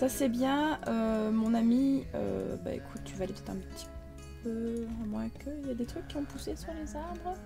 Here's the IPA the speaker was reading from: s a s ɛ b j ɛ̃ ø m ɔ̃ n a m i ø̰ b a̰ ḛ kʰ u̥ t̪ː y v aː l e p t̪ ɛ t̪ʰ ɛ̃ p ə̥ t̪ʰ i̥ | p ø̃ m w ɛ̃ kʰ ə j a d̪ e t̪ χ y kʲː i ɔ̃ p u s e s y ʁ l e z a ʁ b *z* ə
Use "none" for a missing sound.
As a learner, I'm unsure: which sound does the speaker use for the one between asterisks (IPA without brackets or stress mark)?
ʁ